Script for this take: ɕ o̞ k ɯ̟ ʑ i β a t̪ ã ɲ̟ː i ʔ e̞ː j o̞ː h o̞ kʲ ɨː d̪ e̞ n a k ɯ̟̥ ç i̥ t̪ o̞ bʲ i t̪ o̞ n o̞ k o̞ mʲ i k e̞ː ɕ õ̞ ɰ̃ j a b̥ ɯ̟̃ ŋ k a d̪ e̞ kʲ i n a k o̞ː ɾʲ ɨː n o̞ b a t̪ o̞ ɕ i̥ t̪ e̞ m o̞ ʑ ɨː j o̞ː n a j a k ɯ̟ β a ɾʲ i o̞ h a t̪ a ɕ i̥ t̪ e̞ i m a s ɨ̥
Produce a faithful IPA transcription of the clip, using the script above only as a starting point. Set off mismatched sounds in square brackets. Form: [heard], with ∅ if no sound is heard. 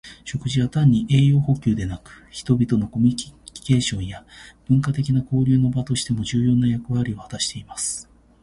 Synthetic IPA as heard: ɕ o̞ k ɯ̟ ʑ i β a t̪ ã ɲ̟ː i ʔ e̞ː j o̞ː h o̞ kʲ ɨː d̪ e̞ n a k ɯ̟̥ ç i̥ t̪ o̞ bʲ i t̪ o̞ n o̞ k o̞ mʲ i k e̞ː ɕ õ̞ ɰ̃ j a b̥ ɯ̟̃ ŋ k a [t̪] e̞ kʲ i n a k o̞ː ɾʲ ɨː n o̞ b a t̪ o̞ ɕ i̥ t̪ e̞ m o̞ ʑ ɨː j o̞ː n a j a k ɯ̟ β a ɾʲ i o̞ h a t̪ a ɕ i̥ t̪ e̞ i m a s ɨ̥